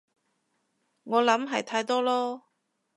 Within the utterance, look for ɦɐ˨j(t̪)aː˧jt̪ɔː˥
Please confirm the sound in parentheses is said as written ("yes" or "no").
no